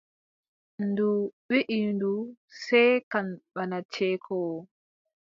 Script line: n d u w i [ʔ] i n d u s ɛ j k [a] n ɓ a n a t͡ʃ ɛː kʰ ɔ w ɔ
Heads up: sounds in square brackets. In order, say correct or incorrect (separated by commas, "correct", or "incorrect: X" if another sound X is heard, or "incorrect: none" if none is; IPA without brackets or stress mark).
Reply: correct, correct